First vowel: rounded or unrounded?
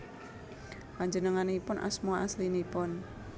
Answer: unrounded